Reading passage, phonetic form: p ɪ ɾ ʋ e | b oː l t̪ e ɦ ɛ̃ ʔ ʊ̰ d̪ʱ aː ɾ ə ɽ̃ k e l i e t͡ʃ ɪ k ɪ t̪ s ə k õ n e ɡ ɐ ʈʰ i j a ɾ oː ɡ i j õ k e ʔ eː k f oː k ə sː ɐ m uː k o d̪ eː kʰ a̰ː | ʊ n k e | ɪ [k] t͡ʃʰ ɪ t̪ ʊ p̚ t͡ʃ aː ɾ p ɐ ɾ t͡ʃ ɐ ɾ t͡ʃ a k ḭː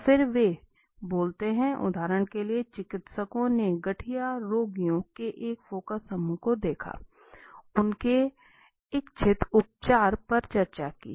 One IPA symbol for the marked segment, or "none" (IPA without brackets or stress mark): k